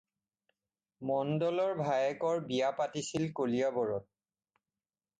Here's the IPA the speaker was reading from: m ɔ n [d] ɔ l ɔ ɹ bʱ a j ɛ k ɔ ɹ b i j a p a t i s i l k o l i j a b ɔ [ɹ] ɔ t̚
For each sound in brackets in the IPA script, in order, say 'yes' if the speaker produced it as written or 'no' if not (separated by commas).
yes, yes